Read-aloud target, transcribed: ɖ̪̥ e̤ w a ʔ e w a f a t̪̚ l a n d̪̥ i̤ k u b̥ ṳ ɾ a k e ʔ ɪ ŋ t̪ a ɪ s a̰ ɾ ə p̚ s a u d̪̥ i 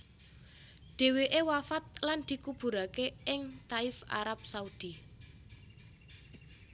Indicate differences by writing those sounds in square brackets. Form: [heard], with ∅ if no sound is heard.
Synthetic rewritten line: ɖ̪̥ e̤ w [e] ʔ e w a f a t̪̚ l a n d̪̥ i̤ k u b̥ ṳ ɾ a k e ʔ ɪ ŋ t̪ a ɪ [f] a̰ ɾ [a] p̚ s a u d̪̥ i